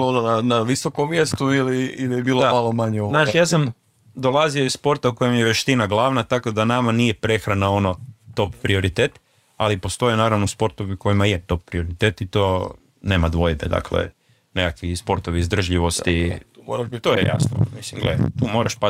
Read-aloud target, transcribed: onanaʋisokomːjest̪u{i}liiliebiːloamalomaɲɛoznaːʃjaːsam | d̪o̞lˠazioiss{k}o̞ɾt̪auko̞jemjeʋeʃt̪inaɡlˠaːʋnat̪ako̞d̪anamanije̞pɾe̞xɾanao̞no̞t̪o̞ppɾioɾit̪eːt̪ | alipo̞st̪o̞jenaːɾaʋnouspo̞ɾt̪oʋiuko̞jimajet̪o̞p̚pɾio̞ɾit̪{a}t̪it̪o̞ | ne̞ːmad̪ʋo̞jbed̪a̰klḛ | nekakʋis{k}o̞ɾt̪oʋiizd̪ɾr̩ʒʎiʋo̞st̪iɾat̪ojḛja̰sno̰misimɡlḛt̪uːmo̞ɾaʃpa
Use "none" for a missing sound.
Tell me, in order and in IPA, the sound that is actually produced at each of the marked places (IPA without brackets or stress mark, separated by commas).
i, p, e, p